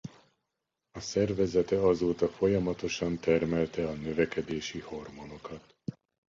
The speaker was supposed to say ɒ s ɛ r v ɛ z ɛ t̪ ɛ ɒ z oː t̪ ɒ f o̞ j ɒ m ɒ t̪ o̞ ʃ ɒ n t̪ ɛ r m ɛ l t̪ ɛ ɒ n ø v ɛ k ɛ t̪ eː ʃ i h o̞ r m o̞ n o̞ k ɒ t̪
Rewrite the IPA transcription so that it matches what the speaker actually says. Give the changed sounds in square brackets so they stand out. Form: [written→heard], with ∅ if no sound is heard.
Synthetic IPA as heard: ɒ s ɛ r v ɛ z ɛ t̪ ɛ ɒ z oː t̪ ɒ f o̞ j ɒ m ɒ t̪ o̞ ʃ ɒ n t̪ ɛ r m ɛ l t̪ ɛ ɒ n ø v ɛ k ɛ [t̪→d̪] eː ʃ i h o̞ r m o̞ n o̞ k ɒ t̪

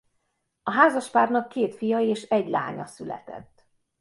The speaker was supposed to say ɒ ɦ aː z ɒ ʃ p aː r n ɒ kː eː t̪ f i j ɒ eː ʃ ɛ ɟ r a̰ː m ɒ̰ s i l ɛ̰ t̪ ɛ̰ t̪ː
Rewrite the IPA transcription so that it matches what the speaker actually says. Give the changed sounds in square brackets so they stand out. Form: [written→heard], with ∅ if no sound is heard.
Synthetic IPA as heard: ɒ ɦ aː z ɒ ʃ p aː r n ɒ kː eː t̪ f i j ɒ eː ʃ ɛ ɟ [r→l] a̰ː [m→ɲ] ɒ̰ s [i→y] l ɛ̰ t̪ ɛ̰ t̪ː

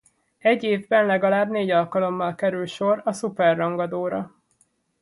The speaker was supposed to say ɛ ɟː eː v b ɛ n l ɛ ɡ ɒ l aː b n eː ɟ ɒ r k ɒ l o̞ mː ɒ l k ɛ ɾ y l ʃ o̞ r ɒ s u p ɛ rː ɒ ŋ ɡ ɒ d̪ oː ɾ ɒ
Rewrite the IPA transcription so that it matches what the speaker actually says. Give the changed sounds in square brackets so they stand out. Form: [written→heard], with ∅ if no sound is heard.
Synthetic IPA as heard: ɛ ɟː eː v b ɛ n l ɛ ɡ ɒ l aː b n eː ɟ ɒ [r→l] k ɒ l o̞ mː ɒ l k ɛ ɾ y l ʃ o̞ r ɒ s u p ɛ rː ɒ ŋ ɡ ɒ d̪ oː ɾ ɒ

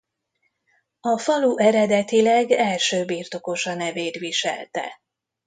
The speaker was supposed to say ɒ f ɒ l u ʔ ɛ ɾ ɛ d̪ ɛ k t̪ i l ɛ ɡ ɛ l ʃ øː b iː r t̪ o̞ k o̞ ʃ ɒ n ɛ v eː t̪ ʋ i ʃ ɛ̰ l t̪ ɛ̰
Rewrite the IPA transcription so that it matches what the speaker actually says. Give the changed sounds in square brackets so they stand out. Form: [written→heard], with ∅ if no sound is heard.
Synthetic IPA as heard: ɒ f ɒ l u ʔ ɛ ɾ ɛ d̪ ɛ [k→∅] t̪ i l ɛ ɡ ɛ l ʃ øː b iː r t̪ o̞ k o̞ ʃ ɒ n ɛ v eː t̪ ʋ i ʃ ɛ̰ l t̪ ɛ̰

